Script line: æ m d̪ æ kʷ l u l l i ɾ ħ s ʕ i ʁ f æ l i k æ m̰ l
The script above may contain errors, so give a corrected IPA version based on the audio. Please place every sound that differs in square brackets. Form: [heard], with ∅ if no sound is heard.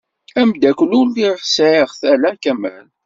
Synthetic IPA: æ m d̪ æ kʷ l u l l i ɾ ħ s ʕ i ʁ [θ] æ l [æ] k æ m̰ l